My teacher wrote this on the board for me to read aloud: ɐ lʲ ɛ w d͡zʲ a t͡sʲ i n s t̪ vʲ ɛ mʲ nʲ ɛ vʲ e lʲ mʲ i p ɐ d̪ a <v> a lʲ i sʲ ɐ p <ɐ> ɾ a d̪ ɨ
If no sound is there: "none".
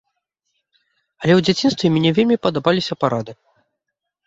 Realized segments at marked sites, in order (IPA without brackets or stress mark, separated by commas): b, a